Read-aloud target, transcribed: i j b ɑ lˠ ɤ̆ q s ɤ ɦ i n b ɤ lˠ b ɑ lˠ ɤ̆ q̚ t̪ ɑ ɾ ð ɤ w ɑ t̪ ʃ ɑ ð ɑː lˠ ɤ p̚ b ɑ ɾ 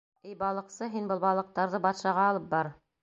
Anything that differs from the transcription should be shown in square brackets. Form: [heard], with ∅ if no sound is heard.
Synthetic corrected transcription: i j b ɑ lˠ ɤ̆ q s ɤ ɦ i n b ɤ lˠ b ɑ lˠ ɤ̆ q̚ t̪ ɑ ɾ ð ɤ [b] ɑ t̪ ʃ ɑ [ʁ] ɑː lˠ ɤ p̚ b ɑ ɾ